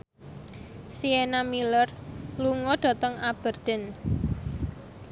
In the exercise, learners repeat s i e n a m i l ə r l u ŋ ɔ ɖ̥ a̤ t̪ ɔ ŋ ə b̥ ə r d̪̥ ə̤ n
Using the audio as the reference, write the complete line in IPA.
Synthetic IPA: s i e n a m i l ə r l u ŋ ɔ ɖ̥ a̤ t̪ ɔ ŋ a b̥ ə r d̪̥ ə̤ n